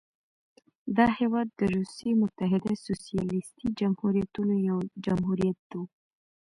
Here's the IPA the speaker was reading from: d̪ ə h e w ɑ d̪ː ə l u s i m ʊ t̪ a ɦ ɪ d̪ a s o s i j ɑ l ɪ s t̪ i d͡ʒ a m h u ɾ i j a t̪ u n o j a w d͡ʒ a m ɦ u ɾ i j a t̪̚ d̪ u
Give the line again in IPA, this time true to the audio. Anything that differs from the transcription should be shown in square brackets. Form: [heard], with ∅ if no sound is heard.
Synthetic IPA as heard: d̪ [ɑ] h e w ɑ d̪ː ə [ɾ] u s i m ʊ t̪ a ɦ ɪ d̪ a s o s i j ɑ l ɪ s t̪ i d͡ʒ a m h u ɾ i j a t̪ u n o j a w d͡ʒ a m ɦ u ɾ i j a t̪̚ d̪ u

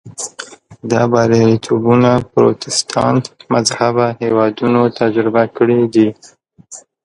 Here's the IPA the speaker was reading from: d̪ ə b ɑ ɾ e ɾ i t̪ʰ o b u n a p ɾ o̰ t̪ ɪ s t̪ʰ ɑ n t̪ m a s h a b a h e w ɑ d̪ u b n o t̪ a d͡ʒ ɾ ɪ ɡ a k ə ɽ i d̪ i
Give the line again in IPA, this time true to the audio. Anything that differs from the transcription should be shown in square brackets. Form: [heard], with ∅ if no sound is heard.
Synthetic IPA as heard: d̪ [ɑ] b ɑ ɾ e ɾ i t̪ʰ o b u n a p ɾ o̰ t̪ ɪ s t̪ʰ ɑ n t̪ m a [z] h a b a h e w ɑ d̪ u [∅] n o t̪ a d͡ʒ ɾ ɪ [b] a k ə ɽ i d̪ i

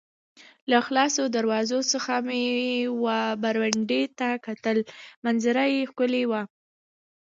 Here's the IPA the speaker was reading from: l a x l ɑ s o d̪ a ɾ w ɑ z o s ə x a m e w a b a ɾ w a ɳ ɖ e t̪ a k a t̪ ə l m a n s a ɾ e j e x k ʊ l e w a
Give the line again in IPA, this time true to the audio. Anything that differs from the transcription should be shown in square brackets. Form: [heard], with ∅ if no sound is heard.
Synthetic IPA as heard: l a x l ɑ s o d̪ a ɾ w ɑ z o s ə x a m e w a b a ɾ w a ɳ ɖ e t̪ a k a t̪ ə l m a n [z] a ɾ [a] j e x k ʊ l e w a

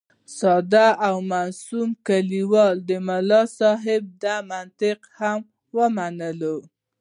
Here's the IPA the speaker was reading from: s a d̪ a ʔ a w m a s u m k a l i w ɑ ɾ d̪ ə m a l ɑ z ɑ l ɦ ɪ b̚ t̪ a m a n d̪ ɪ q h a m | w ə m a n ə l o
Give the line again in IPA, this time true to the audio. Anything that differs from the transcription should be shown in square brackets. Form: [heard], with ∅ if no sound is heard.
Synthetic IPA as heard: s [ɑ] d̪ a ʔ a w m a s u m k a l i w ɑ [l] d̪ ə m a l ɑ [s] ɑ [∅] ɦ ɪ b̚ [d̪] a m a n [t̪] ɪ q h a m | w ə m a n ə l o

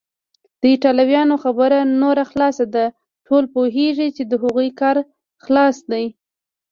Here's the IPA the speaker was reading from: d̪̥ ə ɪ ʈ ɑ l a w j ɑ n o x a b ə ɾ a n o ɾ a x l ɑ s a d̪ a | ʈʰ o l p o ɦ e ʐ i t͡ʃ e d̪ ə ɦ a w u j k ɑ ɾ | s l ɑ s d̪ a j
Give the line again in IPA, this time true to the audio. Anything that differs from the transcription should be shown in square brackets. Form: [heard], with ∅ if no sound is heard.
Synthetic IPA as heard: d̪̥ ə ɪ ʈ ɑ l a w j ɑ n o x a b ə ɾ a n o ɾ a x l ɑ s a d̪ a | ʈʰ o l p o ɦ e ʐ i t͡ʃ e d̪ ə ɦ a [ɣ] u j k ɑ ɾ | [x] l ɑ s d̪ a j

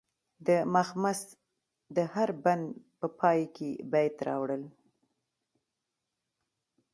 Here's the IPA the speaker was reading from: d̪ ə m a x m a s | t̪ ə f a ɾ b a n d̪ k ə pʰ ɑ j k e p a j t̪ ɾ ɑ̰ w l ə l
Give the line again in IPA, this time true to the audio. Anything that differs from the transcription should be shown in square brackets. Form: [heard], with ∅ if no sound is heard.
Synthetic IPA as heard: d̪ ə m a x m a s | [d̪] ə [h] a ɾ b a n d̪ [p] ə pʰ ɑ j k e [b] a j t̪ ɾ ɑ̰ w [ɽ] ə l

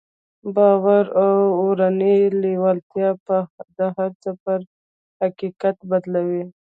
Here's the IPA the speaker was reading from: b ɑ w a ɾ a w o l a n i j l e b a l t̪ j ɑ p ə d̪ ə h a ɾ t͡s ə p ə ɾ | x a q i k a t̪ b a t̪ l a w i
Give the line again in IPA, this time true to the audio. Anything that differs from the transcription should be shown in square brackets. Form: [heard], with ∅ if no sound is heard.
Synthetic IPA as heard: b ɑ w a ɾ a w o [ɾ] a n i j l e [w] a l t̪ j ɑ p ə d̪ ə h a ɾ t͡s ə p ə ɾ | [h] a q i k a t̪ b a [d̪] l a w i

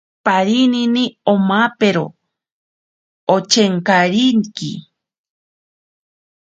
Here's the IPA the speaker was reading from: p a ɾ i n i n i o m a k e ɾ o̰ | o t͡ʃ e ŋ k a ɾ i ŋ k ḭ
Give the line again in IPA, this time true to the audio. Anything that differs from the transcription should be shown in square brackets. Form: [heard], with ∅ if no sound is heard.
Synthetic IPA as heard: p a ɾ i n i n i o m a [p] e ɾ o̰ | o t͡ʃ e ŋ k a ɾ i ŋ k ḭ

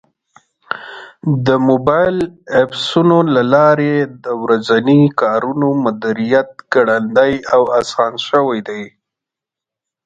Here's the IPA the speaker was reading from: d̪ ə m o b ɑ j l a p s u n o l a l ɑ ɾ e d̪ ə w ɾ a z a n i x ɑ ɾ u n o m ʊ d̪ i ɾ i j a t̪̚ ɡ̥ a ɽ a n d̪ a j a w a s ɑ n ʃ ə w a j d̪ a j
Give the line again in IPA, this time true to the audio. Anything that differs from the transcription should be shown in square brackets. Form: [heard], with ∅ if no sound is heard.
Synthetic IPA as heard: d̪ ə m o b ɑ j l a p s u n o l a l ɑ ɾ e d̪ ə w ɾ a z a n i [k] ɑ ɾ u n o m ʊ d̪ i ɾ i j a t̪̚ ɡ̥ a ɽ a n d̪ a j a w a s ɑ n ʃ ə w a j d̪ a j

